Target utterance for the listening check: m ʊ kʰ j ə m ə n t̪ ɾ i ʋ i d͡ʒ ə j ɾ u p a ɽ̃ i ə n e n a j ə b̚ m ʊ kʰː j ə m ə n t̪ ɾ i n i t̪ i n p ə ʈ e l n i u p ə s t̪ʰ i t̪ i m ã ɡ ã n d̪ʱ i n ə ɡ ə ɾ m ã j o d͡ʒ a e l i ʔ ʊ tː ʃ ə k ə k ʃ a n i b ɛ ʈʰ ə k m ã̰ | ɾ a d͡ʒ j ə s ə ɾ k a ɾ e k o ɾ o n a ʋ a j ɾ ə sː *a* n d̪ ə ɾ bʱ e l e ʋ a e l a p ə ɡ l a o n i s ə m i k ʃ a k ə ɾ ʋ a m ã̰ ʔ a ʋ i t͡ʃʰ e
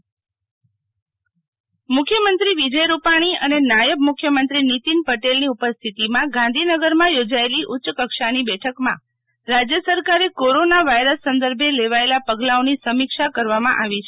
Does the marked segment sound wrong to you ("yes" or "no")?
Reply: yes